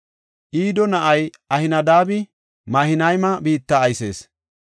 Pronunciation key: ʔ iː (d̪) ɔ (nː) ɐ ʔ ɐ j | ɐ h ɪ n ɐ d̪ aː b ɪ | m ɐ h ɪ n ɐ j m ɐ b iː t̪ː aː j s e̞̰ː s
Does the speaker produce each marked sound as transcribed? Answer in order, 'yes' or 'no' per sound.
yes, no

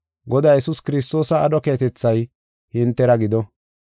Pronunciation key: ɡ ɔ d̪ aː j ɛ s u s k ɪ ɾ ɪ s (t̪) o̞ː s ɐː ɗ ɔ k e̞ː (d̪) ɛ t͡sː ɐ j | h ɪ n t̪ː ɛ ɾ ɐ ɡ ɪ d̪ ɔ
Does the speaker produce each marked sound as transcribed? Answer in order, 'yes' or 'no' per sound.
yes, no

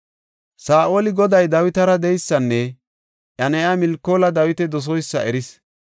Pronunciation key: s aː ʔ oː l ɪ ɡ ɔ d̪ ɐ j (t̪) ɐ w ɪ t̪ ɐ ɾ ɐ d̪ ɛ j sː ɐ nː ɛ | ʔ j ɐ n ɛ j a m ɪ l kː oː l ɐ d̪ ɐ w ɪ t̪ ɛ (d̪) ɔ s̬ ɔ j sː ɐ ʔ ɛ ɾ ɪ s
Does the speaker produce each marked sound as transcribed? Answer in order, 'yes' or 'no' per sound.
no, yes

